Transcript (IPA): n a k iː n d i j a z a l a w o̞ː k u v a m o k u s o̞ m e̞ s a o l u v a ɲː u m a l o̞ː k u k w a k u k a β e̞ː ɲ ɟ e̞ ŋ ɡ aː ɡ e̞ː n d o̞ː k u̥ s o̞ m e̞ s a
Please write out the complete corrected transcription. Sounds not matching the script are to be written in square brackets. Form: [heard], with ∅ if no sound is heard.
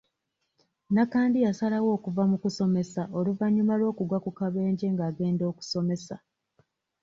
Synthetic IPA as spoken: n a k [aː] n d i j a [s] a l a w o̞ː k u v a m [u] k u s o̞ m e̞ s a o l u v a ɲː u m a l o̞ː k u [ɡ] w a k u k a β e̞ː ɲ ɟ e̞ ŋ ɡ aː ɡ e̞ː n d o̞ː k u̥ s o̞ m e̞ s a